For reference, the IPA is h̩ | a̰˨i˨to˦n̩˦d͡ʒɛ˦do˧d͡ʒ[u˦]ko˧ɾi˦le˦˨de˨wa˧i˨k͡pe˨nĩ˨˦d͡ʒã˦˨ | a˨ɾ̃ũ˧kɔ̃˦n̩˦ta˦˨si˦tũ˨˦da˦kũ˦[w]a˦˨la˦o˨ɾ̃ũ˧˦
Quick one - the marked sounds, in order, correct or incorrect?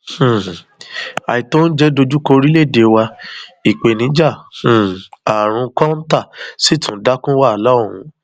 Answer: correct, correct

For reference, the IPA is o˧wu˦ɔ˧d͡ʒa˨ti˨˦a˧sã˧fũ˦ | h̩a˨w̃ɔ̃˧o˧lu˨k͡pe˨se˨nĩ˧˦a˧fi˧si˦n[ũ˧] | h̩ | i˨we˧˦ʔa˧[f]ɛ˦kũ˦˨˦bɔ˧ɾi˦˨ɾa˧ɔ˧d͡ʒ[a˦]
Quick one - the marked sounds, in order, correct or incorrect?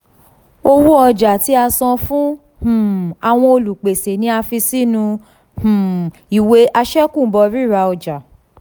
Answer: correct, incorrect: ʃ, incorrect: a˨

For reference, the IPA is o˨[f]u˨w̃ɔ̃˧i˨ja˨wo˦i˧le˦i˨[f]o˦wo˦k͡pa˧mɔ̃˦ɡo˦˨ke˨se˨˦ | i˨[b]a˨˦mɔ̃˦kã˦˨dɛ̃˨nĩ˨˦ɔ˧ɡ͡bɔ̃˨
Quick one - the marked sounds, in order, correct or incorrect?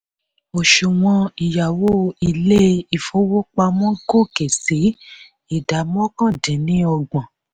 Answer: incorrect: ʃ, correct, incorrect: d

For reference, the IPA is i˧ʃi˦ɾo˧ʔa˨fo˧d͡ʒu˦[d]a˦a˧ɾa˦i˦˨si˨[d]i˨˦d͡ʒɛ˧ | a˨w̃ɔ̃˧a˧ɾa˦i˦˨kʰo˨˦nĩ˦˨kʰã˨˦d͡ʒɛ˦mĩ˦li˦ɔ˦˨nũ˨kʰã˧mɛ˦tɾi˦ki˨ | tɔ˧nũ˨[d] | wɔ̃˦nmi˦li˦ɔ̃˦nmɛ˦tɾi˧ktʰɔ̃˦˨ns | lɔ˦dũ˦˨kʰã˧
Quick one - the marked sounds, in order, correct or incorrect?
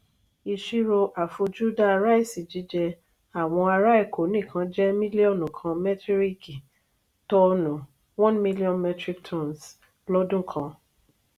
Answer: correct, incorrect: d͡ʒ, incorrect: none

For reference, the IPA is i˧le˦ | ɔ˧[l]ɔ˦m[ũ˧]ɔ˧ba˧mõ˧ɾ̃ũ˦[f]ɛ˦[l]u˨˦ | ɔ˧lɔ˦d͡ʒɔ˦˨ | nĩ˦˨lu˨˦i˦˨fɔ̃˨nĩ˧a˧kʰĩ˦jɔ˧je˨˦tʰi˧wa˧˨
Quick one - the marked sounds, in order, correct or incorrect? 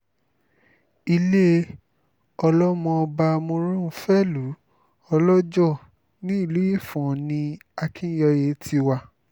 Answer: correct, incorrect: ɔ̃˧, correct, correct

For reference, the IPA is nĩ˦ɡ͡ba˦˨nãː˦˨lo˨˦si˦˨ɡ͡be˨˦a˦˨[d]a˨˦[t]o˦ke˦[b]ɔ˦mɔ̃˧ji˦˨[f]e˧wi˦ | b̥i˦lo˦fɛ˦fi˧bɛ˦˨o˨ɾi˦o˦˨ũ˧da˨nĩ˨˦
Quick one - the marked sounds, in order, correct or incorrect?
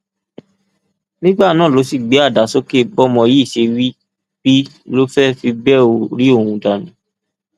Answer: correct, incorrect: s, correct, incorrect: ʃ

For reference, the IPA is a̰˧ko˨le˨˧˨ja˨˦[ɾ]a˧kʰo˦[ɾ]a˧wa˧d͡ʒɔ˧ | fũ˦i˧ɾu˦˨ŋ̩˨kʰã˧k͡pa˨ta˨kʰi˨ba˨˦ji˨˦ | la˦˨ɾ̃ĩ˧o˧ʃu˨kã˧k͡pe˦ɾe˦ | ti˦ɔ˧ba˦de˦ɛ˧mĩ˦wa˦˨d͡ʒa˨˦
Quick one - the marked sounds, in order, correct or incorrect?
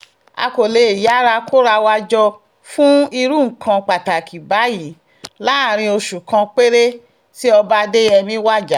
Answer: correct, correct

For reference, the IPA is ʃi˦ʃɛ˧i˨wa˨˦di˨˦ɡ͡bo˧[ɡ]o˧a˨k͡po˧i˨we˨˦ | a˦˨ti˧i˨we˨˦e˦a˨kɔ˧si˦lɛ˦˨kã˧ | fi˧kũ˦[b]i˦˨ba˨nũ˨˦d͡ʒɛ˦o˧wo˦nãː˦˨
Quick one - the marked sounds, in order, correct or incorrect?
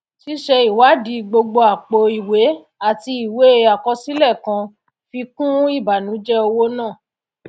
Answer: incorrect: ɡ͡b, incorrect: none

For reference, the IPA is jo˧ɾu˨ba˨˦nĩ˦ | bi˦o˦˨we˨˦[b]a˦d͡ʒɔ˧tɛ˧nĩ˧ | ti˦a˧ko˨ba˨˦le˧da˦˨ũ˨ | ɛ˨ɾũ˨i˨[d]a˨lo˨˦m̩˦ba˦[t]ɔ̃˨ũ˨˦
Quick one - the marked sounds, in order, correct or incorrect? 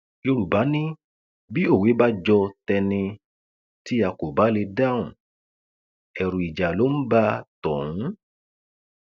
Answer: correct, incorrect: d͡ʒ, correct

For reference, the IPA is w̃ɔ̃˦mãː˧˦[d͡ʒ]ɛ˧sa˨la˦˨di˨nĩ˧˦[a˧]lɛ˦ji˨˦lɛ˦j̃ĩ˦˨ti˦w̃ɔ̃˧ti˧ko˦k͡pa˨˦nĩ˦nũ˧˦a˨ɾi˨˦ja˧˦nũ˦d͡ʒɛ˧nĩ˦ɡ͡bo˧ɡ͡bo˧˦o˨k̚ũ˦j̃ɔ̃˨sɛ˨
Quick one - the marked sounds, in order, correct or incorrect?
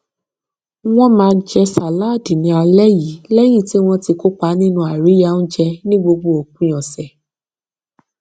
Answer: correct, correct

